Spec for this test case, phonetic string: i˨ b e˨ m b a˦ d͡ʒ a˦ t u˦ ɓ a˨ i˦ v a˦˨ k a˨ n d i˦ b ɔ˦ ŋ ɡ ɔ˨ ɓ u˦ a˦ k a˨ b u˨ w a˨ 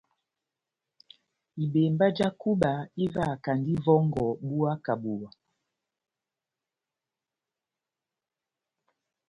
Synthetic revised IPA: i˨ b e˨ m b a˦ d͡ʒ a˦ k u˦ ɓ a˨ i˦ v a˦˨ k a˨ n d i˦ v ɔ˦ ŋ ɡ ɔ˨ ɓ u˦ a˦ k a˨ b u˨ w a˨

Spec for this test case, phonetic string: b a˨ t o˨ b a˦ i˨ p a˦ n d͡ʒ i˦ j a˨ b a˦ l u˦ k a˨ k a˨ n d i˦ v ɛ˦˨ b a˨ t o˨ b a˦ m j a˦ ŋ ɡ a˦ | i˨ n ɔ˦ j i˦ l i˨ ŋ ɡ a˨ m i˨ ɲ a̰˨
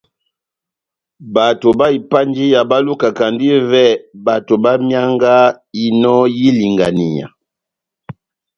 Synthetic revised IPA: b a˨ t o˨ b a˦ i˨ p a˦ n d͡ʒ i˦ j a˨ b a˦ l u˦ k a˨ k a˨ n d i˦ v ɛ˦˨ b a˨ t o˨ b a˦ m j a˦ ŋ ɡ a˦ | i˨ n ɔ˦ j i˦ l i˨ ŋ ɡ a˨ n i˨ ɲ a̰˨

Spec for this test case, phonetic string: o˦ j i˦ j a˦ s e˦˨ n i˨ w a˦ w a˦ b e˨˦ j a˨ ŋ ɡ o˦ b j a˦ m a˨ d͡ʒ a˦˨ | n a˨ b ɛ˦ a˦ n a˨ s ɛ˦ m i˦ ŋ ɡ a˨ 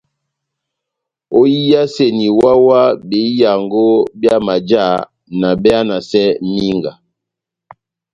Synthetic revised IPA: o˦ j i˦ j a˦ s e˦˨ n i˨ w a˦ w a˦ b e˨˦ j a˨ ŋ ɡ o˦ b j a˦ m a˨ d͡ʒ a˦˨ | n a˨ b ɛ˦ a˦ n a˨ s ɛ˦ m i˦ ŋ ɡ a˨

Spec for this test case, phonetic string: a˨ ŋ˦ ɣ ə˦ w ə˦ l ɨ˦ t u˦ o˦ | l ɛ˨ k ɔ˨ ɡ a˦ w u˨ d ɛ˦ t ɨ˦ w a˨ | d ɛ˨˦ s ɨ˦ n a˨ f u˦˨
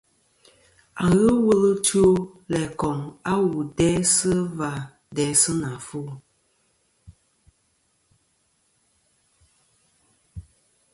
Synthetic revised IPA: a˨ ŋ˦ ɣ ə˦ w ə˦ l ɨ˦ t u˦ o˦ | l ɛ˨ k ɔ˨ ŋ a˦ w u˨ d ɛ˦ s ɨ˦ v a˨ | d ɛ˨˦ s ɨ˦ n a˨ f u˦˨

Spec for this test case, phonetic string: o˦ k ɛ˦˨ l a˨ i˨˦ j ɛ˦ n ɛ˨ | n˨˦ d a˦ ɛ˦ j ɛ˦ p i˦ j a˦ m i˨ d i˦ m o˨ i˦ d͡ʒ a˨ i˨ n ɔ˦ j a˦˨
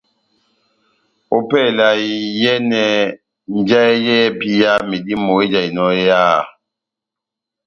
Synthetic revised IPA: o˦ p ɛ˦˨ l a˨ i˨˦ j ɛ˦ n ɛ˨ | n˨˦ d͡ʒ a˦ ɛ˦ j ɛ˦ p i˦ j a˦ m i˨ d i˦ m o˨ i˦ d͡ʒ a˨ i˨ n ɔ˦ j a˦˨

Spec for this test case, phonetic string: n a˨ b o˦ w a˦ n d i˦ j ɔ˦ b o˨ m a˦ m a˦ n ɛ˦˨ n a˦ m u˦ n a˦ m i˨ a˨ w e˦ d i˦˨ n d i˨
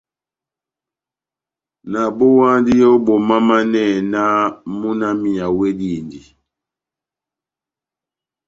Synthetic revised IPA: n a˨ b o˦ w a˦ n d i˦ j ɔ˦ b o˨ m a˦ m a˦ n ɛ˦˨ n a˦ m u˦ n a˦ m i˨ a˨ w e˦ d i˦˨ n d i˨

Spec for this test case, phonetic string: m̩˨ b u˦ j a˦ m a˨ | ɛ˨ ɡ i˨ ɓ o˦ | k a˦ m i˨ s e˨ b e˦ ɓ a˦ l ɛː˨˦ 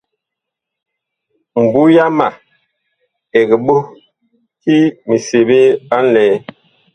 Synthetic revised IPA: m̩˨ b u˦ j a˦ m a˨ | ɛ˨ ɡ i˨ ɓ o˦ | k i˦ m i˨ s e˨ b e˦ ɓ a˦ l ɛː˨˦

